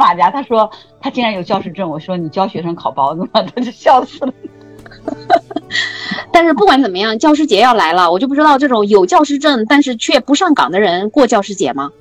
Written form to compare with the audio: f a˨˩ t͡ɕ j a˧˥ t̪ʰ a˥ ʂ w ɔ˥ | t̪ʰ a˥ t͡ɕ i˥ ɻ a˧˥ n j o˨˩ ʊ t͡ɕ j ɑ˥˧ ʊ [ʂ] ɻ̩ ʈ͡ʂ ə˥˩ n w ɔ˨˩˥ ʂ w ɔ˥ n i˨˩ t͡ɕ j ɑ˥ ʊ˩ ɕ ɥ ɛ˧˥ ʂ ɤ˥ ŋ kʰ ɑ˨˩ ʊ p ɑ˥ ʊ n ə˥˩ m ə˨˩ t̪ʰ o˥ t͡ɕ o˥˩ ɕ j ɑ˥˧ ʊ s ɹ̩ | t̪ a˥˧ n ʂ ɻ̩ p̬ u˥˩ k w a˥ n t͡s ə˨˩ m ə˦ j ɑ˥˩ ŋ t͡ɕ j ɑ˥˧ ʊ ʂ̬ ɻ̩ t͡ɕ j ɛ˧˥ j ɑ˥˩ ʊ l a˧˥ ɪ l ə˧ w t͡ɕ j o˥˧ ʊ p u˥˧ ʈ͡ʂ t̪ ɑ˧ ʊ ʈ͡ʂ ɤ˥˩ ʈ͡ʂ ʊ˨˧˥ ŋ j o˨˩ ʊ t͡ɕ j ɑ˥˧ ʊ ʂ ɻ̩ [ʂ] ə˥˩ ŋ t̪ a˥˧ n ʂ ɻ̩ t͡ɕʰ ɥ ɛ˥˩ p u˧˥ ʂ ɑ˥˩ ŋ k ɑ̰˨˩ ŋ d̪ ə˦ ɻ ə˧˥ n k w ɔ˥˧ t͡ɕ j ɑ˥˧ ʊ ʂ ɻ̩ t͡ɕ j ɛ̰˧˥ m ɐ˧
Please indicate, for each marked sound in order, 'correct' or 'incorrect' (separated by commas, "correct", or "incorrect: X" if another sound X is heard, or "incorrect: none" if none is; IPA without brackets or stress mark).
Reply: correct, incorrect: ʈ͡ʂ